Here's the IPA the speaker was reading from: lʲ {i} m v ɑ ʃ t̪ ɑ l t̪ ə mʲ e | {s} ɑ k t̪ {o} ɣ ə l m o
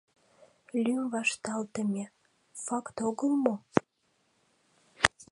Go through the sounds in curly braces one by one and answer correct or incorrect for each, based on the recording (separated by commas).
incorrect, incorrect, correct